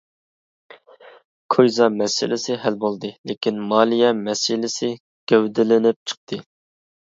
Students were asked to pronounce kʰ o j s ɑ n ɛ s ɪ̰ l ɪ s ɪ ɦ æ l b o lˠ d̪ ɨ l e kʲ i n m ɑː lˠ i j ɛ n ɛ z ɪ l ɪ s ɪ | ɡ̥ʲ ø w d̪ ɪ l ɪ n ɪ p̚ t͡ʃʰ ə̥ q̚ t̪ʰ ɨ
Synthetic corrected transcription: kʰ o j z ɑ m ɛ s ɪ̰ l ɪ s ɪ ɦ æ l b o lˠ d̪ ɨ l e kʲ i n m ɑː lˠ i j ɛ m ɛ s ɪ l ɪ s ɪ | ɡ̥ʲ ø w d̪ ɪ l ɪ n ɪ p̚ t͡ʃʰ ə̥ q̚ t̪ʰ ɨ

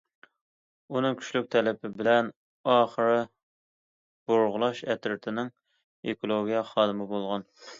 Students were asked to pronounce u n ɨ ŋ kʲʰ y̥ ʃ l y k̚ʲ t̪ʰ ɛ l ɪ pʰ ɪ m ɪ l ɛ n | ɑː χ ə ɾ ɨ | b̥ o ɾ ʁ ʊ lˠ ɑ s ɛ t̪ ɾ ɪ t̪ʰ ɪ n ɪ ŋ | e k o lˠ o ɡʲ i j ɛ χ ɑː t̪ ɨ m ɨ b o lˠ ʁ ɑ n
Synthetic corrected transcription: u n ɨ ŋ kʲʰ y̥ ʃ l y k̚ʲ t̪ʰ ɛ l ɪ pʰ ɪ b ɪ l ɛ n | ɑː χ ə ɾ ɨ | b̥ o ɾ ʁ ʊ lˠ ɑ ʃ ɛ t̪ ɾ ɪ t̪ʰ ɪ n ɪ ŋ | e k o lˠ o ɡʲ i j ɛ χ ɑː d̪ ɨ m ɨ b o lˠ ʁ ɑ n

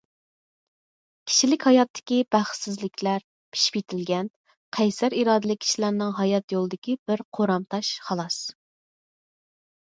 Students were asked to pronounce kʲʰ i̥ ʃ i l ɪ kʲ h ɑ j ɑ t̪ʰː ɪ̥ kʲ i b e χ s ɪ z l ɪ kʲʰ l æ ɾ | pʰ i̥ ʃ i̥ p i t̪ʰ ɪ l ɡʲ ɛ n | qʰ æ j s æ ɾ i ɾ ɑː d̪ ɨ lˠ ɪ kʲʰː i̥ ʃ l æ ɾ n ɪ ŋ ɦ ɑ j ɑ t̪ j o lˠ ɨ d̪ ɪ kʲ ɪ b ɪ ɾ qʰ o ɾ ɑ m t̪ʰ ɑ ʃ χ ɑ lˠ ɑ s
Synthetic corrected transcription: kʲʰ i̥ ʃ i l ɪ kʲ h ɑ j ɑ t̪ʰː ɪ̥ kʲ i b æ χ s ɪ z l ɪ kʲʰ l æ ɾ | pʰ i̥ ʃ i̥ p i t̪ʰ ɪ l ɡʲ ɛ n | qʰ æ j s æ ɾ i ɾ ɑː d̪ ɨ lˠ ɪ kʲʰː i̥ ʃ l æ ɾ n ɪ ŋ ɦ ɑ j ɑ t̪ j o lˠ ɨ d̪ ɪ kʲ i b ɪ ɾ qʰ o ɾ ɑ m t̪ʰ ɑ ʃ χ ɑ lˠ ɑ s

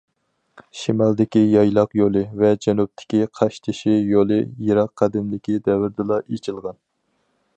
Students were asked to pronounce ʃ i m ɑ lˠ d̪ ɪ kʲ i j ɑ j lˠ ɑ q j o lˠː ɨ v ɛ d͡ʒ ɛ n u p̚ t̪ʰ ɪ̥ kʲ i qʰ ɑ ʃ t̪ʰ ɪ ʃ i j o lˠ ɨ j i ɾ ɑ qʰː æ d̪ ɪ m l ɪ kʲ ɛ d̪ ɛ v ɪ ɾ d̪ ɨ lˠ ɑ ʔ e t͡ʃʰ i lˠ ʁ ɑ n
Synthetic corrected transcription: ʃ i m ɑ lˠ d̪ ɪ kʲ i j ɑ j lˠ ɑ q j o lˠ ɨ v ɛ d͡ʒ ɛ n u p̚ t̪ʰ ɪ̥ kʲ i qʰ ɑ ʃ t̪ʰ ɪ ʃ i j o lˠ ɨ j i ɾ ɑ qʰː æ d̪ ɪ m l ɪ kʲ i d̪ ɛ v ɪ ɾ d̪ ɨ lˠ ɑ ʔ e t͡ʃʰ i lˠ ʁ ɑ n

